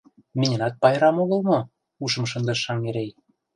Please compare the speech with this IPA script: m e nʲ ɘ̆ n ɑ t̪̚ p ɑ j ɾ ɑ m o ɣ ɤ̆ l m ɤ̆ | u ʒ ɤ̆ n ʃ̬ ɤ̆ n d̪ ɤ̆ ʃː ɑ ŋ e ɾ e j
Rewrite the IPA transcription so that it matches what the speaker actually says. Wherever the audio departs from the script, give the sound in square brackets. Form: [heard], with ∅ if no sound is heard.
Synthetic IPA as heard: m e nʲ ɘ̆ n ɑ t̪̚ p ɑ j ɾ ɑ m o ɣ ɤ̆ l m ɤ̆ | u [ʃ] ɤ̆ [m] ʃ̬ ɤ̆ n d̪ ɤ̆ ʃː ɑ ŋ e ɾ e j